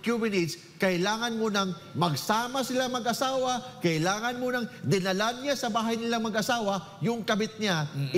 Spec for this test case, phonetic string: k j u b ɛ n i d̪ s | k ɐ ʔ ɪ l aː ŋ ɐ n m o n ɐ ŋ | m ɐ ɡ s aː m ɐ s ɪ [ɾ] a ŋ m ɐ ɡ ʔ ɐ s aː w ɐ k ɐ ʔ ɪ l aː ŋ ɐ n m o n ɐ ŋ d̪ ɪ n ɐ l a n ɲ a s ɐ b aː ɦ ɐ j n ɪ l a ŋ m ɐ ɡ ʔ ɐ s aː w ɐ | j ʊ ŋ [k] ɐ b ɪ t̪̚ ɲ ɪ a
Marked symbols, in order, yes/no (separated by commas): no, yes